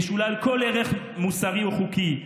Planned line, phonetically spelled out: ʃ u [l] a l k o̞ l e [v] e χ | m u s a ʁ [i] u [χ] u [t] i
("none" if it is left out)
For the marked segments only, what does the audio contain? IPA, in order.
l, ʁ, i, χ, k

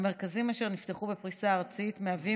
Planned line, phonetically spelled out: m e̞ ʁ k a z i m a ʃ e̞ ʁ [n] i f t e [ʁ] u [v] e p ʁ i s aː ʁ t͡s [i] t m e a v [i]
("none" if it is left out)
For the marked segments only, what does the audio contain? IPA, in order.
n, χ, b, i, i

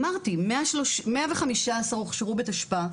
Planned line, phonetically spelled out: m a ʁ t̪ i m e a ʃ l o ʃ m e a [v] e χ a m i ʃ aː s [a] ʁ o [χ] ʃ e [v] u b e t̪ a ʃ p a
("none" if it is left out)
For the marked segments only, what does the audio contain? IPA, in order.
v, a, χ, ʁ

